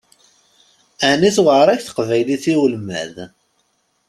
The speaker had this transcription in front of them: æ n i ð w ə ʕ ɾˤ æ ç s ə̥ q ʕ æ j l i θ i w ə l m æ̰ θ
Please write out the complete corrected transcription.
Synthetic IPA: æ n i θ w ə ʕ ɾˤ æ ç θ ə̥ q v æ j l i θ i w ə l m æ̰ ð